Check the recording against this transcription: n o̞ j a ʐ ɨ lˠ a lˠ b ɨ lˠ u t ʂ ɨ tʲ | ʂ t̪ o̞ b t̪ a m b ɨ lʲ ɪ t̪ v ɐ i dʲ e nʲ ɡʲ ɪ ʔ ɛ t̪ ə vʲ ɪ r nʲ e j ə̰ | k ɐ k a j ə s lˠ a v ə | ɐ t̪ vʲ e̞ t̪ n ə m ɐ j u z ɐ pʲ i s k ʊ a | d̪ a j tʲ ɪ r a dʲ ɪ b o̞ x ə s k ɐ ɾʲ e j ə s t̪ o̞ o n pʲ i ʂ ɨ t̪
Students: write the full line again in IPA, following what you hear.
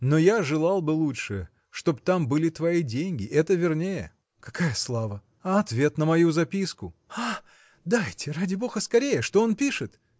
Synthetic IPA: n o̞ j a ʐ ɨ lˠ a lˠ b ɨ lˠ u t ʂ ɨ | ʂ t̪ o̞ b t̪ a m b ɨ lʲ ɪ t̪ v ɐ i dʲ e nʲ ɡʲ ɪ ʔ ɛ t̪ ə vʲ ɪ r nʲ e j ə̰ | k ɐ k a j ə s lˠ a v ə | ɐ t̪ vʲ e̞ t̪ n ə m ɐ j u z ɐ pʲ i s k ʊ a | d̪ a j tʲ ɪ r a dʲ ɪ b o̞ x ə s k ɐ ɾʲ e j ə ʂ t̪ o̞ o n pʲ i ʂ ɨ t̪